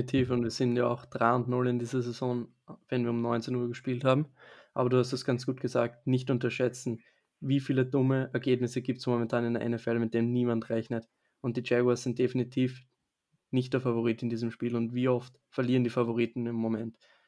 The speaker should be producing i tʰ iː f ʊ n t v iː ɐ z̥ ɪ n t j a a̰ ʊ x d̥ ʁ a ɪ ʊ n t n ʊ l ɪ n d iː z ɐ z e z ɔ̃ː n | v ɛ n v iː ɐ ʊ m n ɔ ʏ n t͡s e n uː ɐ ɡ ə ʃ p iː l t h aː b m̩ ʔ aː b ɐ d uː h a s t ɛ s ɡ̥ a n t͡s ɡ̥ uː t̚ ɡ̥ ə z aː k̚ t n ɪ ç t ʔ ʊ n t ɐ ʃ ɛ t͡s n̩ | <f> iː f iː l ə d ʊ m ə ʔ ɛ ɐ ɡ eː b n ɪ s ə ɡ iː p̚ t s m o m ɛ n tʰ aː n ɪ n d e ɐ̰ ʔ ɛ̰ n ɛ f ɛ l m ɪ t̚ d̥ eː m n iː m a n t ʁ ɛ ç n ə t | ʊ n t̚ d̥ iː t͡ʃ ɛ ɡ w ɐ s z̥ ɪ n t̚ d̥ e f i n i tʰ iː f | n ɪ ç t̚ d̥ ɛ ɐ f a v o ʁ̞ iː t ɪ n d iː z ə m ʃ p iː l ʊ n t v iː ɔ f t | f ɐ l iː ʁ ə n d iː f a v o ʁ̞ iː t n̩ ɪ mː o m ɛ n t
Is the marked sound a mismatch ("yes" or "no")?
yes